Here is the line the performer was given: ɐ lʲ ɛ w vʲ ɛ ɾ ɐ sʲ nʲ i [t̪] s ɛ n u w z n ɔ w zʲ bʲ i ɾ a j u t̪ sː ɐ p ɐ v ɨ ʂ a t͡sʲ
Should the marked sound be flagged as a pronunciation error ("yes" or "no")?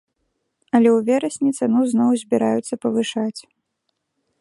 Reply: no